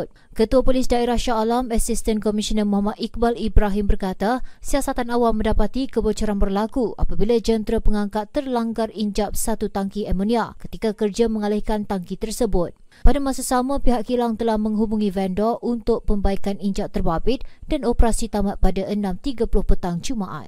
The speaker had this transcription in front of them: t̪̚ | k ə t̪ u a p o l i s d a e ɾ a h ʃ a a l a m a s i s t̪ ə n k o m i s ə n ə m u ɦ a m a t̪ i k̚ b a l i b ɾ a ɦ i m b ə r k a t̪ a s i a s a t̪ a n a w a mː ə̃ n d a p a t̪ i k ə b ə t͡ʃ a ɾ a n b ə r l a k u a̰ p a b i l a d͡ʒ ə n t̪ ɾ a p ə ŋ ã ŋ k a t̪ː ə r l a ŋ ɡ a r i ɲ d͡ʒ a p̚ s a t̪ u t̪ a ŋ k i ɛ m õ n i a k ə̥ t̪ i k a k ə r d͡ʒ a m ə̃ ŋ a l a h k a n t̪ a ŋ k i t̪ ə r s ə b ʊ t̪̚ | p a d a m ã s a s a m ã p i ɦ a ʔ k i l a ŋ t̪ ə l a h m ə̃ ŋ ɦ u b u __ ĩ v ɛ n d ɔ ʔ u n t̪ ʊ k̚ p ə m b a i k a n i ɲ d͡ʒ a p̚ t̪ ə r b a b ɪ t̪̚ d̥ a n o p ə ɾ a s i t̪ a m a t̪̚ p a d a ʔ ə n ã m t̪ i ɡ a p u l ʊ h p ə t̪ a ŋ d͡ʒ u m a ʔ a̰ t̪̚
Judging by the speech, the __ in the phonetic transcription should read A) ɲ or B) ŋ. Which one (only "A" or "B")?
B